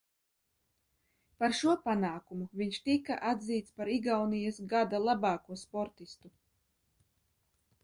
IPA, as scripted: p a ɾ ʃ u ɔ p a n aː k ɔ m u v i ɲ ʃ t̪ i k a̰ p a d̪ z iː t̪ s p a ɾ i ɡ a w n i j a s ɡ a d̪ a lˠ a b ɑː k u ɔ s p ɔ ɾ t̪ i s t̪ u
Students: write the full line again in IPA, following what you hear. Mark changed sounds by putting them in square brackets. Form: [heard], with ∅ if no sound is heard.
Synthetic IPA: p a ɾ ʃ u ɔ p a n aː k [u] m u v i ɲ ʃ t̪ i k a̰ [ʔ] a d̪ z iː t̪ s p a ɾ i ɡ a w n i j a s ɡ a d̪ a lˠ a b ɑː k u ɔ s p ɔ ɾ t̪ i s t̪ u

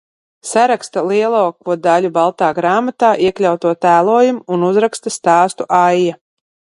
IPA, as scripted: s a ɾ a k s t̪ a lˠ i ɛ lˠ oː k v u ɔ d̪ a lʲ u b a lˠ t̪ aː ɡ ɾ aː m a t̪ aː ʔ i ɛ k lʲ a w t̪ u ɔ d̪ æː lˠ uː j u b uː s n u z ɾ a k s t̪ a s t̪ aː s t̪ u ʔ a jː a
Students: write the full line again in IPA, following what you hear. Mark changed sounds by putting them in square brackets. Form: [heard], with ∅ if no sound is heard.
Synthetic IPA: s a ɾ a k s t̪ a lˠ i ɛ lˠ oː k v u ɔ d̪ a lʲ u b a lˠ t̪ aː ɡ ɾ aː m a t̪ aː ʔ i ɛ k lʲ a w t̪ u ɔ [t̪] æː lˠ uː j u [m] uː [∅] n u z ɾ a k s t̪ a s t̪ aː s t̪ u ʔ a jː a

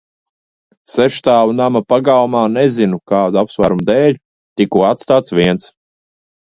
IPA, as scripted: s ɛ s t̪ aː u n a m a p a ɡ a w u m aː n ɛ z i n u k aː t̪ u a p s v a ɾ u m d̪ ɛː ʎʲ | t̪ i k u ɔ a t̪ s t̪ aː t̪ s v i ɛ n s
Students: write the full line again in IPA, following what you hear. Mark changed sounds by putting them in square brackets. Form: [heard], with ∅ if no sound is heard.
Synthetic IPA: s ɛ [ʃ] t̪ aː u n a m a p a ɡ a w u m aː n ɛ z i n u k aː [d̪] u a p s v a ɾ u m d̪ ɛː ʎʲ | t̪ i k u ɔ a t̪ s t̪ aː t̪ s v i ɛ n s

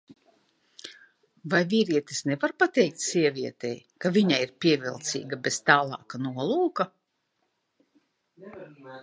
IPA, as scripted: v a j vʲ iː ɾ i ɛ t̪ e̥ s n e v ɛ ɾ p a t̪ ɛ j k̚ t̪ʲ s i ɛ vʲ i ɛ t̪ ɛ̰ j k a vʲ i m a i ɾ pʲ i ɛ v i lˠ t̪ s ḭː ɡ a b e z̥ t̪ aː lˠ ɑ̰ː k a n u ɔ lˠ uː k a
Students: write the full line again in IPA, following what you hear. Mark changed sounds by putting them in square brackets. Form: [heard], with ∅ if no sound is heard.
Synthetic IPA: v a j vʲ iː ɾ i ɛ t̪ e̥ s n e v [a] ɾ p a t̪ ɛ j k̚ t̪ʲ s i ɛ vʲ i ɛ t̪ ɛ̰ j k a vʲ i [ɲ] a i ɾ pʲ i ɛ v i lˠ t̪ s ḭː ɡ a b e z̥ t̪ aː lˠ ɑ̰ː k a n u ɔ lˠ uː k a

